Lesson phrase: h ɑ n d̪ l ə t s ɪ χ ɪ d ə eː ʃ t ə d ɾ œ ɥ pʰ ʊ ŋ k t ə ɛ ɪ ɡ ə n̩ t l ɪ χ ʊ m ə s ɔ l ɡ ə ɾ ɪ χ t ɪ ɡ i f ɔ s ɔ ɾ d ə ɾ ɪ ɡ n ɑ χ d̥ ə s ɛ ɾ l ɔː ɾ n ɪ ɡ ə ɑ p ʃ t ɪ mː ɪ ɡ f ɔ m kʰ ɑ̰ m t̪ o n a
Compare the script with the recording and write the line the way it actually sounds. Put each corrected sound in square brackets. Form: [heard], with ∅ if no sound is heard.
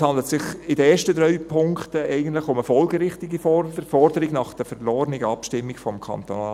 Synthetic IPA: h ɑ n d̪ l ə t s ɪ χ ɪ d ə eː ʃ t ə d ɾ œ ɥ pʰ ʊ ŋ k t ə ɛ ɪ ɡ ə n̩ t l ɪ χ ʊ m ə [f] ɔ l ɡ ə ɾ ɪ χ t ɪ ɡ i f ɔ [f] ɔ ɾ d ə ɾ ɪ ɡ n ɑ χ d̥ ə [f] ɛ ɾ l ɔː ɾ n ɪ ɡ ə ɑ p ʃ t ɪ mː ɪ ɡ f ɔ m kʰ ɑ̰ [n] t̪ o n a

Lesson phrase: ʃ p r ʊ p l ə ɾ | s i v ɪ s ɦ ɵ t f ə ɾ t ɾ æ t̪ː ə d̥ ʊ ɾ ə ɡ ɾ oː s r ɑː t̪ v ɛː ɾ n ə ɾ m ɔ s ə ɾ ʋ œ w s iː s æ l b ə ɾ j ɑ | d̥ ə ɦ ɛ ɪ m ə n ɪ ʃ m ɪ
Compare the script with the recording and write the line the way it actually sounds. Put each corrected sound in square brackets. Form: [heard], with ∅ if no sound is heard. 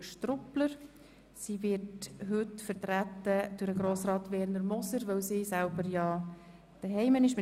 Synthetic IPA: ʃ [t] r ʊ p l ə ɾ | s i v ɪ [t] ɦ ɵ t f ə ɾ t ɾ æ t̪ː ə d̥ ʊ ɾ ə ɡ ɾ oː s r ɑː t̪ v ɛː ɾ n ə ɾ m ɔ s ə ɾ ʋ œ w s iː s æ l b ə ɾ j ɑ | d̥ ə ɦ ɛ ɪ m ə n ɪ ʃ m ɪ

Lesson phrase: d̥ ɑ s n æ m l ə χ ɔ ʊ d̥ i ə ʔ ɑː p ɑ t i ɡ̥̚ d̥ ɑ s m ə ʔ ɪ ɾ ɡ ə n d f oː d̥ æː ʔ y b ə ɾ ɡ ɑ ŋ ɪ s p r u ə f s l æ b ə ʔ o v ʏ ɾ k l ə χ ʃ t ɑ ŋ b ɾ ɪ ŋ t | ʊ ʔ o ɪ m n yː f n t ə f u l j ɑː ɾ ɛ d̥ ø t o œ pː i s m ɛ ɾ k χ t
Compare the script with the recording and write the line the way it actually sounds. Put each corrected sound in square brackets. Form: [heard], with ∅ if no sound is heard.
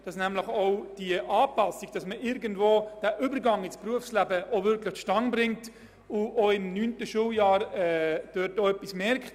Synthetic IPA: d̥ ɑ s n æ m l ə χ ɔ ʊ d̥ i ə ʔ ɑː p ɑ [s] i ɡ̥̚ d̥ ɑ s m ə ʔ ɪ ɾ ɡ ə n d [v] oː d̥ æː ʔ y b ə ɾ ɡ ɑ ŋ ɪ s p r u ə f s l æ b ə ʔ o v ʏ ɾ k l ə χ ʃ t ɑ ŋ b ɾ ɪ ŋ t | ʊ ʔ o ɪ m n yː [∅] n t ə [ʃ] u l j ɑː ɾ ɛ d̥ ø t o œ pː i s m ɛ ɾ k χ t

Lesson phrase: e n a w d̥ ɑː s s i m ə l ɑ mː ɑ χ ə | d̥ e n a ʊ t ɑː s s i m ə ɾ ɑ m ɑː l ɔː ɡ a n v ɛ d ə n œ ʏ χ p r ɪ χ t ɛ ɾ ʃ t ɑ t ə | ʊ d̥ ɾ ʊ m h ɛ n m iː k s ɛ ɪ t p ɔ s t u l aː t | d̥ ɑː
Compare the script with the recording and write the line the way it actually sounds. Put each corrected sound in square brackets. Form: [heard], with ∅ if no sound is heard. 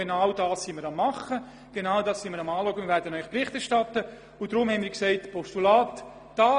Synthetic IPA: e n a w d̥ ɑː s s i m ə [ɾ] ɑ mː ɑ χ ə | [ɡ̥] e n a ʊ [d] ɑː s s i m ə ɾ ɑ m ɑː l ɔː ɡ [ə] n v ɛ d ə n œ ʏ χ p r ɪ χ t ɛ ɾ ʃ t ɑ t ə | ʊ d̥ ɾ ʊ m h ɛ n m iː k s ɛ ɪ t p ɔ s t u l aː t | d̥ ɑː

